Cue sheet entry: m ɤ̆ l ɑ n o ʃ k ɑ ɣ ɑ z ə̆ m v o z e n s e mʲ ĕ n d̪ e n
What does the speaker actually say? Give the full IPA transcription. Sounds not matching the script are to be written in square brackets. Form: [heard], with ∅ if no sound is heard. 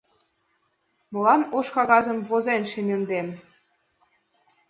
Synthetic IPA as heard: m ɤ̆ l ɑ n o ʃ k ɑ ɣ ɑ z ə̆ m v o z e n [ʃ] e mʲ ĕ n d̪ e [m]